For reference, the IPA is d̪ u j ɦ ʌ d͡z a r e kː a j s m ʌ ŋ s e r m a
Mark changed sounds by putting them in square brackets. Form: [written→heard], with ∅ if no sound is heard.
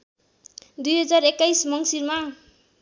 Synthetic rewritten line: d̪ u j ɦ ʌ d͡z a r e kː a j s m ʌ ŋ s [e→i] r m a

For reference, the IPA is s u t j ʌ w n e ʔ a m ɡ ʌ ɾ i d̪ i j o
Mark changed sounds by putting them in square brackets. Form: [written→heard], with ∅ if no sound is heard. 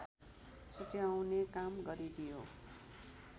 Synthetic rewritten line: s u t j [ʌ→a] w n e [ʔ→k] a m ɡ ʌ ɾ i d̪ i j o

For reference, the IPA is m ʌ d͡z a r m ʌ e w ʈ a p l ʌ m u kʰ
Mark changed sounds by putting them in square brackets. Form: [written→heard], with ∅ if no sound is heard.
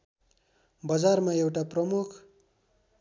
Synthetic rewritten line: [m→b] ʌ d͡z a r m [ʌ→a] e w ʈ a p [l→r] ʌ m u kʰ

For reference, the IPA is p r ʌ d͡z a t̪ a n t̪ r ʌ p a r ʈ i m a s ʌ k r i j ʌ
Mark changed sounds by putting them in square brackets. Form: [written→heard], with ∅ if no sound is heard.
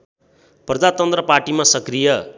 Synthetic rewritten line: p r ʌ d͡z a t̪ [a→ʌ] n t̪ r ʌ p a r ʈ i m a s ʌ k r i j ʌ

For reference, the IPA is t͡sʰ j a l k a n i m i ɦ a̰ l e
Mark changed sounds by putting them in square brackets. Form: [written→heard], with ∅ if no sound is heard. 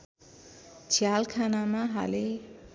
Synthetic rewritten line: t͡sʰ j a l [k→kʰ] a n [i→a] m [i→a] ɦ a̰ l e

